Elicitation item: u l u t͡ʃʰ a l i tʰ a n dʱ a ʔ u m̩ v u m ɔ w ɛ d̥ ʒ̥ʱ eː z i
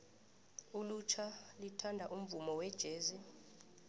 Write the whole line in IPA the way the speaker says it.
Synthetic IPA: u l u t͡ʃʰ a l i tʰ a n dʱ a ʔ u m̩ v u m ɔ w ɛ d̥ ʒ̥ʱ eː z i